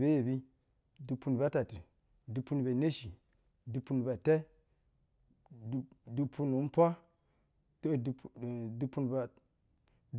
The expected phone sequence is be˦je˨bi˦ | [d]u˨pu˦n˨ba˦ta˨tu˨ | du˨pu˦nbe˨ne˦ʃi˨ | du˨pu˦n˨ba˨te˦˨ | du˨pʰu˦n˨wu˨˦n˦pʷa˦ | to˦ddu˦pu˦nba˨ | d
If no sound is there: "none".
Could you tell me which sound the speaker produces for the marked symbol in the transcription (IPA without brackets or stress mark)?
d